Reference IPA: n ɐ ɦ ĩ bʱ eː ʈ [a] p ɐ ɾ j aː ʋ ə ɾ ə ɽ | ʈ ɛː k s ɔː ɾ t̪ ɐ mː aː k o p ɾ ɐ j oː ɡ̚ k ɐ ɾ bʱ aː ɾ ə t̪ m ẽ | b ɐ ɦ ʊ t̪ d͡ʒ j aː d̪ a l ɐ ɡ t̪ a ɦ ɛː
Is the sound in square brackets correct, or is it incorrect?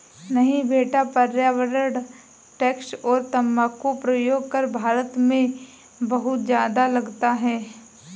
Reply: correct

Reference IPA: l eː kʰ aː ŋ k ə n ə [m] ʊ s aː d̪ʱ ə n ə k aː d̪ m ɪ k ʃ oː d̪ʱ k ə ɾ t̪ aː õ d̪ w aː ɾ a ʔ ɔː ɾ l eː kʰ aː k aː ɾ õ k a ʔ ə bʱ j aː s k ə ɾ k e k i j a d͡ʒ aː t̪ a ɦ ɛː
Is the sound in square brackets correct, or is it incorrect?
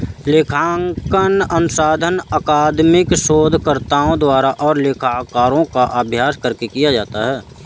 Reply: incorrect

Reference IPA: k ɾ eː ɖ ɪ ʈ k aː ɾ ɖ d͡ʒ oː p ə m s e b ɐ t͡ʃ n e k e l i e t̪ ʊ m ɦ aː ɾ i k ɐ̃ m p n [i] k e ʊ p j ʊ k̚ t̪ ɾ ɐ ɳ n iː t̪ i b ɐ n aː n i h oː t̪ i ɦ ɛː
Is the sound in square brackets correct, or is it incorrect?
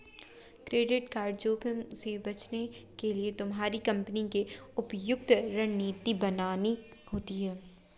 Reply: correct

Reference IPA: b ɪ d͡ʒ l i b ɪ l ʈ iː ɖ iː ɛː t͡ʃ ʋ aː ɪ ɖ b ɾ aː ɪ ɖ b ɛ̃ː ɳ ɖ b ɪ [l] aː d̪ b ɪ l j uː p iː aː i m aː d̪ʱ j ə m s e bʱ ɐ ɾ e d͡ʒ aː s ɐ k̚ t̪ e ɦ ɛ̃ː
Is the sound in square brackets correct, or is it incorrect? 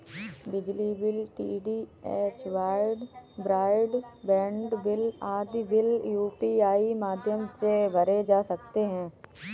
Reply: correct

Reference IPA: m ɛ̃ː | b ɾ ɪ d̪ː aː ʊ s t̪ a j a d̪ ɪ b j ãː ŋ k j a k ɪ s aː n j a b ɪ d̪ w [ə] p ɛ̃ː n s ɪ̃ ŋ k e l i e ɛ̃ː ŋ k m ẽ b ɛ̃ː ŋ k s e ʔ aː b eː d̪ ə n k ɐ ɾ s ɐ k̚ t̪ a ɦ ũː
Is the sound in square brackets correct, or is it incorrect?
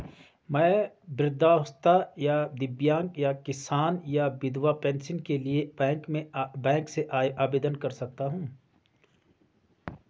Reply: incorrect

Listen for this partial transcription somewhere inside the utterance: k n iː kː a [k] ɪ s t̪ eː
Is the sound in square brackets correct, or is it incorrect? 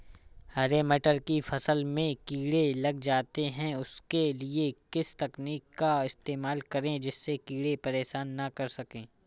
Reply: incorrect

